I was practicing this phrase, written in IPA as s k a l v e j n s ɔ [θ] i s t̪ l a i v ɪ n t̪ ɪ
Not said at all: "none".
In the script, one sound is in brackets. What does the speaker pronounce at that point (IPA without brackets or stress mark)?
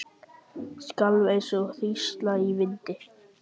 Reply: θ